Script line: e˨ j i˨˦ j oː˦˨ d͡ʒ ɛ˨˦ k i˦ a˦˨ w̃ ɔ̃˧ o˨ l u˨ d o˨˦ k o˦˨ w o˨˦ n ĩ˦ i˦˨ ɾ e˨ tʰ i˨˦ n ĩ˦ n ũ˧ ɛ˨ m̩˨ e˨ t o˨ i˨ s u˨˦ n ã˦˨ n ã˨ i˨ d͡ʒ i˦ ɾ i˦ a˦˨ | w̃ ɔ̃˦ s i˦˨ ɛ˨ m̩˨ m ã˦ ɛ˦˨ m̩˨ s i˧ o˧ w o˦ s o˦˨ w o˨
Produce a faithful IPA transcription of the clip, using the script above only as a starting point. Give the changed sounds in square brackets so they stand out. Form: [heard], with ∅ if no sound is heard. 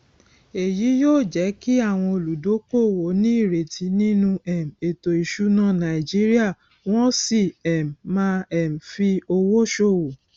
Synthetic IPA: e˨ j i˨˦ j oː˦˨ d͡ʒ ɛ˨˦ k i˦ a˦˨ w̃ ɔ̃˧ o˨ l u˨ d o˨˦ k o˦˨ w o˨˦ n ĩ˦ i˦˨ ɾ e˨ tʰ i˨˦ n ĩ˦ n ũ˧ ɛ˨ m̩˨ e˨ t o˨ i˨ [ʃ] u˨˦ n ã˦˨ n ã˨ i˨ d͡ʒ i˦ ɾ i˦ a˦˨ | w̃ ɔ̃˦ s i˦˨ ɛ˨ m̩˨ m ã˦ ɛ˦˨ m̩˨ [f] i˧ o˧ w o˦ [ʃ] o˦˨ w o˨